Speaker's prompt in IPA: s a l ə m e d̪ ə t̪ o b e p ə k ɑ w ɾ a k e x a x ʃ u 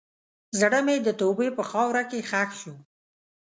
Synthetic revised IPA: z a ɽ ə m e d̪ ə t̪ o b e p ə x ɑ w ɾ a k e x a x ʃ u